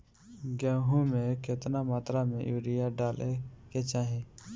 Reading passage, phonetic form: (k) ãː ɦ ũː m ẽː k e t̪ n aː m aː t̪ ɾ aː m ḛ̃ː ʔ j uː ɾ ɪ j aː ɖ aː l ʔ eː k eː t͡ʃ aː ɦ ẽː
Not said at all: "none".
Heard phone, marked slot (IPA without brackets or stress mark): ɡ